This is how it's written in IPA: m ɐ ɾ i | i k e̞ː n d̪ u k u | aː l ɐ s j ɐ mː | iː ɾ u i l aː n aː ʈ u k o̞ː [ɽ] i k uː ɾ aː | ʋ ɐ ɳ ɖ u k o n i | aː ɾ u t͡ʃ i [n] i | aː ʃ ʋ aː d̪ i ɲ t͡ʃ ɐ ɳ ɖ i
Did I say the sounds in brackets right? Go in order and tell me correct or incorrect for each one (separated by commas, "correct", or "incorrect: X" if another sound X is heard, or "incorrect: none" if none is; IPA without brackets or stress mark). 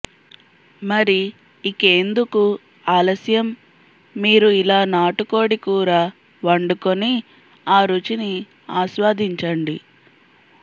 correct, correct